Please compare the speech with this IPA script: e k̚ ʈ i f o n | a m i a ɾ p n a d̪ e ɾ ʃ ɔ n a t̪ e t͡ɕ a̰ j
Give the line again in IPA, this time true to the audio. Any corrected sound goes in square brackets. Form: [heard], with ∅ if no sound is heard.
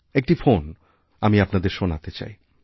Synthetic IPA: e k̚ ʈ i f o n | a m i a [∅] p n a d̪ e ɾ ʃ [o] n a t̪ e t͡ɕ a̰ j